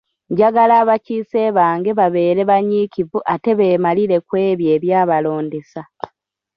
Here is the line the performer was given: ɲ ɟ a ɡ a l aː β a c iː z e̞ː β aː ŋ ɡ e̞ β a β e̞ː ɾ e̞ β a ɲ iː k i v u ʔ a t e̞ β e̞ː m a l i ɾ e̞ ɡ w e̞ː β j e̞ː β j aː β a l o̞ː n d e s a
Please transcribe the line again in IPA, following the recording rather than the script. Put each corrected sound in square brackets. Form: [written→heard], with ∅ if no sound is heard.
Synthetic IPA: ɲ ɟ a ɡ a l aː β a c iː [z→s] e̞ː β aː ŋ ɡ e̞ β a β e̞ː ɾ e̞ β a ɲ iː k i v u ʔ a t e̞ β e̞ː m a l i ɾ e̞ [ɡ→k] w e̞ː β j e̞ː β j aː β a l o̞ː n d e s a